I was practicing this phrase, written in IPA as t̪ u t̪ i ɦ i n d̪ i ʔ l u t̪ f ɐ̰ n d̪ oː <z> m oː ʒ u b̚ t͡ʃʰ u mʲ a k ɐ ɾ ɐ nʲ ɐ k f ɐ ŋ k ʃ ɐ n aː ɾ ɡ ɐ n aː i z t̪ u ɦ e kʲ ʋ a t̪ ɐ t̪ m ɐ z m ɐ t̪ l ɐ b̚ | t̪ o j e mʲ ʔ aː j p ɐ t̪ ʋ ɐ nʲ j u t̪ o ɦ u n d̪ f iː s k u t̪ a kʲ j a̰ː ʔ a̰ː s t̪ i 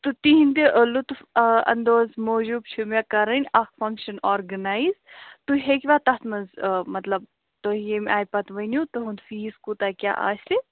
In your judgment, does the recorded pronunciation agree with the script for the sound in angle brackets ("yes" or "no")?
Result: yes